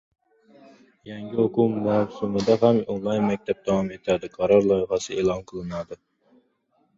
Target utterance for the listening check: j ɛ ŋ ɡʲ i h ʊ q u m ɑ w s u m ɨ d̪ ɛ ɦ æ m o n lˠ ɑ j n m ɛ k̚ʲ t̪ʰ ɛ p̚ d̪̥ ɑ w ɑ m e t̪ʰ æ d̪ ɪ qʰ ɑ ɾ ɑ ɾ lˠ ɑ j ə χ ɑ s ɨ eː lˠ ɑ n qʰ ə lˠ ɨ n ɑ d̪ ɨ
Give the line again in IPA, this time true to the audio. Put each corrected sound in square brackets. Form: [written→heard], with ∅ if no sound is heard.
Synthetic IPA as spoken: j ɛ ŋ ɡʲ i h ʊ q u m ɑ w s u m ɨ d̪ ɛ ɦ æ m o n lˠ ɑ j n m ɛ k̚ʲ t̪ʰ ɛ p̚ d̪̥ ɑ w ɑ m e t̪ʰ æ d̪ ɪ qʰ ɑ ɾ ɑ ɾ lˠ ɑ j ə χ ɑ s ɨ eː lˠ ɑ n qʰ ə lˠ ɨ n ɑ d̪ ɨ

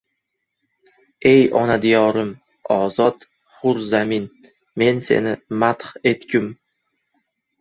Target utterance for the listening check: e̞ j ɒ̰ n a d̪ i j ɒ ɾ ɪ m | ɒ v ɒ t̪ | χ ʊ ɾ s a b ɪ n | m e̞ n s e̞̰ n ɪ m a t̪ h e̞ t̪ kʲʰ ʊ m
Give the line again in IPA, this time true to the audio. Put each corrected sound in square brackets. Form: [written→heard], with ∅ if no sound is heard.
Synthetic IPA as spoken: e̞ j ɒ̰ n a d̪ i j ɒ ɾ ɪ m | ɒ [v→z] ɒ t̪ | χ ʊ ɾ [s→z] a [b→m] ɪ n | m e̞ n s e̞̰ n ɪ m a t̪ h e̞ t̪ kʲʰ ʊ m

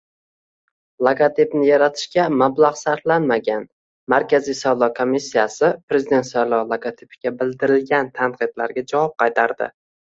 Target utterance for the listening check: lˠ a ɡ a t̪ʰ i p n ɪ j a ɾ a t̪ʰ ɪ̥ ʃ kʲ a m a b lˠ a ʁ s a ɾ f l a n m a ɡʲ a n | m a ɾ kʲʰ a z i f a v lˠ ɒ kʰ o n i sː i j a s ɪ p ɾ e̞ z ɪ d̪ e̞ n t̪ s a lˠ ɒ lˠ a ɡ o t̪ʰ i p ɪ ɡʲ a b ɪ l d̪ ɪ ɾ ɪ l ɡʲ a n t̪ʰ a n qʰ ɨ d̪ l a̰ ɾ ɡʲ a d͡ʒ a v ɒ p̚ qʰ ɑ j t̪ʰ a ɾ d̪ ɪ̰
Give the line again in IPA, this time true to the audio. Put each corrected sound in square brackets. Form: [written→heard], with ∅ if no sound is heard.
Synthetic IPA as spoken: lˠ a ɡ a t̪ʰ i p n ɪ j a ɾ a t̪ʰ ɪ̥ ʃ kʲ a m a b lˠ a ʁ s a ɾ f l a n m a ɡʲ a n | m a ɾ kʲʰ a z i [f→s] a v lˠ ɒ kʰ o [n→m] i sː i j a s ɪ p ɾ e̞ z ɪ d̪ e̞ n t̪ s a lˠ ɒ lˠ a ɡ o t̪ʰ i p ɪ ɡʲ a b ɪ l d̪ ɪ ɾ ɪ l ɡʲ a n t̪ʰ a n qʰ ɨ d̪ l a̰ ɾ ɡʲ a d͡ʒ a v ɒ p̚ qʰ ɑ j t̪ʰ a ɾ d̪ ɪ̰

